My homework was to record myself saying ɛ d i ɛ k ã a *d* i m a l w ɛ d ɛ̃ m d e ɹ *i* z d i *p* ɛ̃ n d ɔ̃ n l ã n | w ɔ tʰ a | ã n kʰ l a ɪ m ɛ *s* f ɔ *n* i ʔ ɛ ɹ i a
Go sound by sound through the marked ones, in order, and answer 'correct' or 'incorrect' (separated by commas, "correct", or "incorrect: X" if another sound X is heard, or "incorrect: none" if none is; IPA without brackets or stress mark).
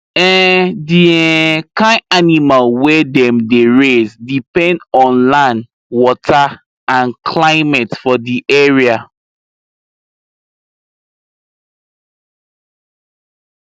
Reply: incorrect: n, incorrect: e, correct, incorrect: t, incorrect: d